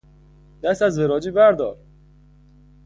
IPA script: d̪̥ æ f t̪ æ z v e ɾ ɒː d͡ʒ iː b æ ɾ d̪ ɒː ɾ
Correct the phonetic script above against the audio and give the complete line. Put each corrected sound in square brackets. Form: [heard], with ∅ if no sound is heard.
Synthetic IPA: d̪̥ æ [s] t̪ æ z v e ɾ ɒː d͡ʒ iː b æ ɾ d̪ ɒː ɾ